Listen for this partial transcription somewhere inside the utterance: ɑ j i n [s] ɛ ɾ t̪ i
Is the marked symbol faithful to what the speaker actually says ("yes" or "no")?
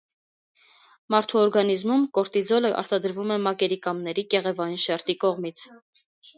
no